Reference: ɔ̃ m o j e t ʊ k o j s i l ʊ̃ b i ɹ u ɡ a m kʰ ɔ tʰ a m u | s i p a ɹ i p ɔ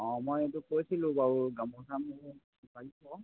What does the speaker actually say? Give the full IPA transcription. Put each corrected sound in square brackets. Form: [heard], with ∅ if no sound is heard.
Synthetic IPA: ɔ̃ m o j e t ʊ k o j s i l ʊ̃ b [a] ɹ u ɡ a m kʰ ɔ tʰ a m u | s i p a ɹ i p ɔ